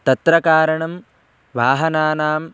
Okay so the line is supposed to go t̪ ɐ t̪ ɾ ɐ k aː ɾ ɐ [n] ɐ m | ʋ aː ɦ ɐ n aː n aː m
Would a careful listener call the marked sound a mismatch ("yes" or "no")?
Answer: yes